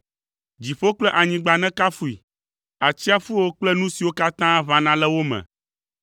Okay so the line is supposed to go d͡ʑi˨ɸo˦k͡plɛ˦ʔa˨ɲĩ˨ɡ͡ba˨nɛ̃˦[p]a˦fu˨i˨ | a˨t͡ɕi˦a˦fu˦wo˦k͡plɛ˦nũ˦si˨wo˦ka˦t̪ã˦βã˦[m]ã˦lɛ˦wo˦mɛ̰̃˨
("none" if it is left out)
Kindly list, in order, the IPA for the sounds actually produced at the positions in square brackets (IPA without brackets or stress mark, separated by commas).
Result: k, n